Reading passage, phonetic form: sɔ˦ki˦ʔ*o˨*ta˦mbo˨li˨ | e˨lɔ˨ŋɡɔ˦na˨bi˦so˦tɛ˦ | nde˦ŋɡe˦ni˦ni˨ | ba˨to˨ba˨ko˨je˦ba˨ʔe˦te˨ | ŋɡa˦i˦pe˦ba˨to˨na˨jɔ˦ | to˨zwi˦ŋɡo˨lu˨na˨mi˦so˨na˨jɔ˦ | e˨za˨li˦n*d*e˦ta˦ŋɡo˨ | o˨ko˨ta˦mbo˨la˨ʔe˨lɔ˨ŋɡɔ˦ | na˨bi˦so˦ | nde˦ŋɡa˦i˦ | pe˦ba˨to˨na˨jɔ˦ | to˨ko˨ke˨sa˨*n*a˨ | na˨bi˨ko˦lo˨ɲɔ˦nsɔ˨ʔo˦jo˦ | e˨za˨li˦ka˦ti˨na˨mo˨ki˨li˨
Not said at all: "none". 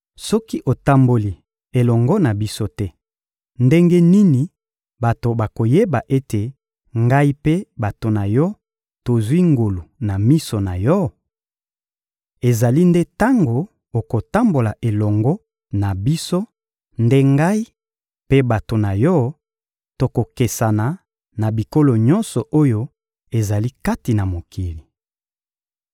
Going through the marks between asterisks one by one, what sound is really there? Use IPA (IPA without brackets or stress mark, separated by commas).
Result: o˨, d, n